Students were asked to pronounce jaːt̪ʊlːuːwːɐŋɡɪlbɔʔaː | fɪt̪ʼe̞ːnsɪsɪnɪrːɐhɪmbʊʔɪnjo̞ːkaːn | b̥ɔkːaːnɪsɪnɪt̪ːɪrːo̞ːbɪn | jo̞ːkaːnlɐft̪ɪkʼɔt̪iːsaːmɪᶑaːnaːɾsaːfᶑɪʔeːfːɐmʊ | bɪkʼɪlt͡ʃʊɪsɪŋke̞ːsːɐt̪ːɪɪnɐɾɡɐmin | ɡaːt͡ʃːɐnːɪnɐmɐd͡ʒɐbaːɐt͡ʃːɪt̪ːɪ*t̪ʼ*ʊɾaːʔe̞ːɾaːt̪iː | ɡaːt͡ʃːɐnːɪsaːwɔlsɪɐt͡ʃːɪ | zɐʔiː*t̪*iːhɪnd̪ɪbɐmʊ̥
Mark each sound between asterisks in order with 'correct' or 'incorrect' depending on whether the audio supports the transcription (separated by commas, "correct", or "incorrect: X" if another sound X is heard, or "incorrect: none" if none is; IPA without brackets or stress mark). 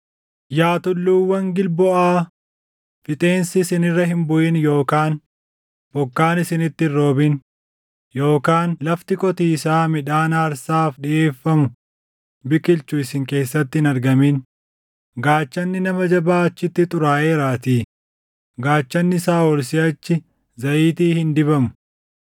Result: correct, correct